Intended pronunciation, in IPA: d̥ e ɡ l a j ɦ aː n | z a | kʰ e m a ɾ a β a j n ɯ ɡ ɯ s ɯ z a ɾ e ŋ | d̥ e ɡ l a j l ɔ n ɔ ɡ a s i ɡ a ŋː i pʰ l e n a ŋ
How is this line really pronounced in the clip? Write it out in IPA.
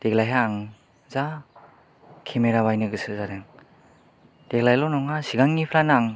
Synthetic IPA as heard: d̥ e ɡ l a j ɦ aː ŋ | z a | kʰ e m e ɾ a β a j n ɯ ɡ ɯ s ɯ z a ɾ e ŋ | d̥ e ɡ l a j l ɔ n ɔ ŋ a s i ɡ a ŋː i pʰ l a n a ŋ